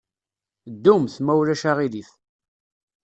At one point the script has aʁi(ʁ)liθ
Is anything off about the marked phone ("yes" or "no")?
yes